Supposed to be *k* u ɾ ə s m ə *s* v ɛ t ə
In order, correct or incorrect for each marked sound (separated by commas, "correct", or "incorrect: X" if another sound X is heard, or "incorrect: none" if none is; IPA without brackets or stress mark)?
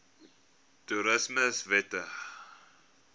incorrect: t, correct